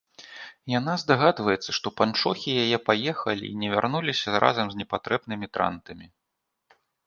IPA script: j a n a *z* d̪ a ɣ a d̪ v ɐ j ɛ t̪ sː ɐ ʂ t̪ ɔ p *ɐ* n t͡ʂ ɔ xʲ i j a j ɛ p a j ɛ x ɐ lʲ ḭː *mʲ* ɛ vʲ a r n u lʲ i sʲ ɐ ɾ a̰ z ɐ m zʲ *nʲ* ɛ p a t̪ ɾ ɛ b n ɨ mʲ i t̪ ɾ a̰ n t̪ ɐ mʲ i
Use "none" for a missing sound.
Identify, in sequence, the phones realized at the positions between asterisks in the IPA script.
z, a, nʲ, nʲ

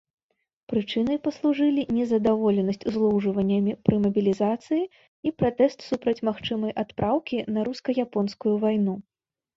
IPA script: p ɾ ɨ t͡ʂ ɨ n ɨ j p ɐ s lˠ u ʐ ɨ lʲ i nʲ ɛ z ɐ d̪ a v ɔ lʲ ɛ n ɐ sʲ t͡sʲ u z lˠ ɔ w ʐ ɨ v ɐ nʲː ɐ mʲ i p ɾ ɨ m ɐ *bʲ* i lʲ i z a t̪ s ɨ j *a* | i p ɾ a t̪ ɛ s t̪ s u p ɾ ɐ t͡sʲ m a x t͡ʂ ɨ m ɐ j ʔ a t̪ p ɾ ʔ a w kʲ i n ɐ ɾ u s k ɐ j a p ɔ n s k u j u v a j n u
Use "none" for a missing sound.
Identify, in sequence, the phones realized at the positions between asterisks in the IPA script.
bʲ, i

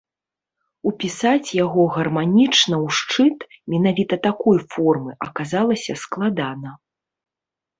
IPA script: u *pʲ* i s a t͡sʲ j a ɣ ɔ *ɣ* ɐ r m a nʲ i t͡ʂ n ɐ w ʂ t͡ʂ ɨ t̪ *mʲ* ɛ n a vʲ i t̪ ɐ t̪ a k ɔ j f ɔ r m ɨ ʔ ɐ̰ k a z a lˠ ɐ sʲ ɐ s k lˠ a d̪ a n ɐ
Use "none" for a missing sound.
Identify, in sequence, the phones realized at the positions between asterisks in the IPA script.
pʲ, ɣ, mʲ

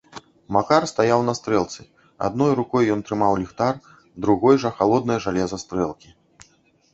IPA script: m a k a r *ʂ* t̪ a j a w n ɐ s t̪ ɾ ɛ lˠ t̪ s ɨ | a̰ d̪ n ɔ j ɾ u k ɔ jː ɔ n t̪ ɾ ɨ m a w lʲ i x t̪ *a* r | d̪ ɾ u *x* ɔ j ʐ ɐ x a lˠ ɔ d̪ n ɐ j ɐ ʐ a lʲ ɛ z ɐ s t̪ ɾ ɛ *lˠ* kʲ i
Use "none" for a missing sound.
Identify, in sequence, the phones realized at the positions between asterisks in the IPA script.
s, a, ɣ, lˠ

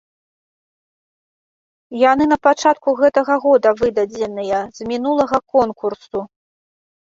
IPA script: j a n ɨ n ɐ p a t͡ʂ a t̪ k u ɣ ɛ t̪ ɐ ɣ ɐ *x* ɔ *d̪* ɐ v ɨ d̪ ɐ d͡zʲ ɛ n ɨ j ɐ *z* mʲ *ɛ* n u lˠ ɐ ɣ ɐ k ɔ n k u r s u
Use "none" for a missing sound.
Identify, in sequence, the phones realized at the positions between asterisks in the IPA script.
ɣ, d̪, z, i

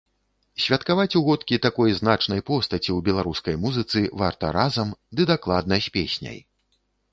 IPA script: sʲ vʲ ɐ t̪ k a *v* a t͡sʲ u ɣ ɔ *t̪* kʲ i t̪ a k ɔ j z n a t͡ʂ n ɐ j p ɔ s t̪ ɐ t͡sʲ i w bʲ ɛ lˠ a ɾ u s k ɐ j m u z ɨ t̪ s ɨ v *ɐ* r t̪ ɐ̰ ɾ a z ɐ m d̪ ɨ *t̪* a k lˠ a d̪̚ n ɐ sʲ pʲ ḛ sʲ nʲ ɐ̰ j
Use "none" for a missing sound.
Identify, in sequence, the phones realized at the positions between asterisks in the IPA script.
v, t̪, a, d̪

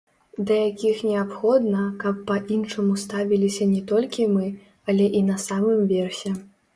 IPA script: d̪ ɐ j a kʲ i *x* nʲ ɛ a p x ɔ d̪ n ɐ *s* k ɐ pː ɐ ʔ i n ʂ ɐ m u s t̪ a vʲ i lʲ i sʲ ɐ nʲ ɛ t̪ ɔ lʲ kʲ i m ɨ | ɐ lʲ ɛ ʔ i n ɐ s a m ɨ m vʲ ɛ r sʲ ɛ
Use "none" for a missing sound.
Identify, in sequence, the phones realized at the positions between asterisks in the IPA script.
x, none

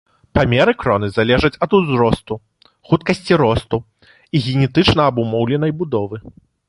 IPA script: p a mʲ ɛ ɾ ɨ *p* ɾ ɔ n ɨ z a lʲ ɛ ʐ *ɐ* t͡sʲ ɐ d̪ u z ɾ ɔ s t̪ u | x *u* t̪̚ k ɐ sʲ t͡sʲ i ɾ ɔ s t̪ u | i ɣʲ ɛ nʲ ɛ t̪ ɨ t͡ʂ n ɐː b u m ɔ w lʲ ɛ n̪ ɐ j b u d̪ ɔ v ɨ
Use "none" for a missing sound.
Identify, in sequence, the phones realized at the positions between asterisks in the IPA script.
k, ɐ, u

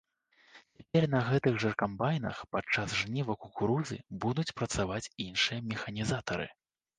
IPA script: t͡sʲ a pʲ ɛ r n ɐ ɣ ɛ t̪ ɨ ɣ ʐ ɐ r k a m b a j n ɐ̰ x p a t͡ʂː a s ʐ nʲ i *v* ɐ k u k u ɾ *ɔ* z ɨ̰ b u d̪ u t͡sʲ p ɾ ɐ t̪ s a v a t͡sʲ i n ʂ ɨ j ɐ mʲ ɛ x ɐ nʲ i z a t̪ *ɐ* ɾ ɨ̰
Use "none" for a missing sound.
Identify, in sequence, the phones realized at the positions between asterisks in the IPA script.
v, u, ɐ

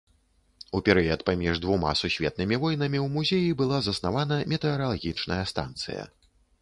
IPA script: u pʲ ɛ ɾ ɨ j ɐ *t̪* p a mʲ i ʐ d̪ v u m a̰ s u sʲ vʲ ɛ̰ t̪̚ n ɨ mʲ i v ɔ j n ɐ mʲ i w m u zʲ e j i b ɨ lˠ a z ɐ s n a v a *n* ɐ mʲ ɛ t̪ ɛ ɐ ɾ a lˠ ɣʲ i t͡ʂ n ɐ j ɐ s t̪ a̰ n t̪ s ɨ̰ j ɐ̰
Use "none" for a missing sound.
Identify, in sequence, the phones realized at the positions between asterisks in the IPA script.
t̪, n

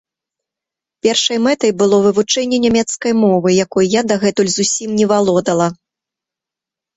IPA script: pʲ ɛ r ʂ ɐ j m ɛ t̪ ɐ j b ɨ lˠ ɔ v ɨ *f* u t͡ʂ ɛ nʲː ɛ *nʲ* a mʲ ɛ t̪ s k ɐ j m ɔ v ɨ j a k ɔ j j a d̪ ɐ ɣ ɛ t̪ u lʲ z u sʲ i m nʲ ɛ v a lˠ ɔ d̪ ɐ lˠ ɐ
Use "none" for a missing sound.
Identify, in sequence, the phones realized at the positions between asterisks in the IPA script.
v, nʲ

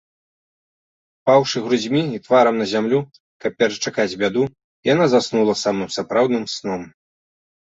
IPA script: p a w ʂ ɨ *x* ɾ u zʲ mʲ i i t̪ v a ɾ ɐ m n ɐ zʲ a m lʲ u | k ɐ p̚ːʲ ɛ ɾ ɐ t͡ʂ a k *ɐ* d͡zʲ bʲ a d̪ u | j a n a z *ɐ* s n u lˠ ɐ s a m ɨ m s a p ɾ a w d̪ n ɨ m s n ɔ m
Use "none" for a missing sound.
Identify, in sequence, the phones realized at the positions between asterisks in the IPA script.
ɣ, a, a

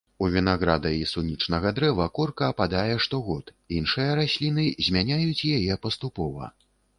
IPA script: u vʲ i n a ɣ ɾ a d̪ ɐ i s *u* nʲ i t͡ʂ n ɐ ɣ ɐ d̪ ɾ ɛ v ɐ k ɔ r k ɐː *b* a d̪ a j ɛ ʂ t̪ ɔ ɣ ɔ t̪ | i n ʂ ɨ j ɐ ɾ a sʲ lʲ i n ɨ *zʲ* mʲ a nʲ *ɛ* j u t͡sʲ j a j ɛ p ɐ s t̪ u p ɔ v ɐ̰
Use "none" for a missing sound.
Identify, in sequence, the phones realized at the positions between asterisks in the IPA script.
u, p, zʲ, a

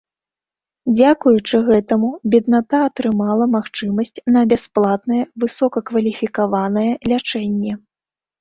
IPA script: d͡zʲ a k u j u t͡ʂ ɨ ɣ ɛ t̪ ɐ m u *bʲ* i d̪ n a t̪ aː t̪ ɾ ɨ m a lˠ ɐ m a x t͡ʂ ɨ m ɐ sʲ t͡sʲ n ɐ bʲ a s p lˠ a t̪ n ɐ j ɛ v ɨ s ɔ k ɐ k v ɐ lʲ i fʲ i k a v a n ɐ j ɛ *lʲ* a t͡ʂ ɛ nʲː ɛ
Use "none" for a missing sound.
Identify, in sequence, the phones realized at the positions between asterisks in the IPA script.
bʲ, lʲ

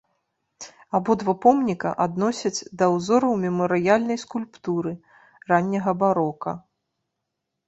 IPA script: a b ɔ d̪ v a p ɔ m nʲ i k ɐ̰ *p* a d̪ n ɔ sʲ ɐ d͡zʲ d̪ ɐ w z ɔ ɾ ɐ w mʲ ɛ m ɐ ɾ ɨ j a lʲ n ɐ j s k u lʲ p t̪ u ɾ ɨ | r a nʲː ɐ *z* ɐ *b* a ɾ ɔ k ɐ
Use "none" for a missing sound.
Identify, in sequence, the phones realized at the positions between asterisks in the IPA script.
ʔ, ɣ, b

